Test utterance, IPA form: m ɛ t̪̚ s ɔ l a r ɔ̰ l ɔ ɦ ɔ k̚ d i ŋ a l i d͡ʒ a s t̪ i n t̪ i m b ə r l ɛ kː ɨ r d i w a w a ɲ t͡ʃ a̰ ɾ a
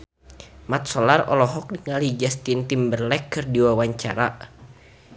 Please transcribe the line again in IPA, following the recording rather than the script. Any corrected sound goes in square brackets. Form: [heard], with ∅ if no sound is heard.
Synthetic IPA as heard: m [a] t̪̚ s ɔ l a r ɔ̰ l ɔ ɦ ɔ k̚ d i ŋ a l i d͡ʒ a s t̪ i n t̪ i m b ə r l ɛ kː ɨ r d i w a w a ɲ t͡ʃ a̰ ɾ a